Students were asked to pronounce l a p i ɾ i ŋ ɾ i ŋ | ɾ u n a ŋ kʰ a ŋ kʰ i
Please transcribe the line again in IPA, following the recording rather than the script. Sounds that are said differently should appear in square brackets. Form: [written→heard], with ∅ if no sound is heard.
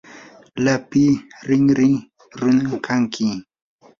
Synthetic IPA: l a p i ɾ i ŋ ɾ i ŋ | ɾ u n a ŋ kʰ a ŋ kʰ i